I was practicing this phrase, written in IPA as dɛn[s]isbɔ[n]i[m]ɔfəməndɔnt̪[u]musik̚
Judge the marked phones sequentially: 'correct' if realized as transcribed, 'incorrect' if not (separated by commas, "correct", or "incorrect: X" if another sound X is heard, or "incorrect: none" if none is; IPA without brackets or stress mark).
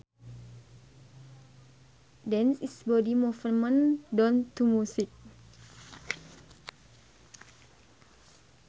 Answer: correct, incorrect: d, correct, correct